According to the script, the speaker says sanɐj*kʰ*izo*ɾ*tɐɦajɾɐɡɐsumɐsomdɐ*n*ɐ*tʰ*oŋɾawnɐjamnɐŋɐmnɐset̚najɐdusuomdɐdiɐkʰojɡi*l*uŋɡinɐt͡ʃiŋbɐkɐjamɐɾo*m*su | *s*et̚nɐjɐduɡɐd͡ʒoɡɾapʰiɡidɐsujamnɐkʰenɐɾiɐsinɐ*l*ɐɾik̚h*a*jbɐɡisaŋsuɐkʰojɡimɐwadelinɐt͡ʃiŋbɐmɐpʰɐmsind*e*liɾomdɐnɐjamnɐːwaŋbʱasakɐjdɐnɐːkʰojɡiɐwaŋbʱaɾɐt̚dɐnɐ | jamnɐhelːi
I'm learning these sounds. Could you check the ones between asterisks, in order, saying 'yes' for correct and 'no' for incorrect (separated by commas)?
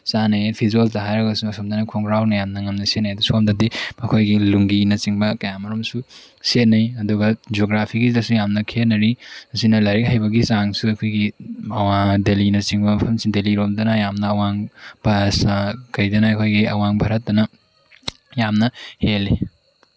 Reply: no, no, yes, no, yes, yes, yes, yes, yes, yes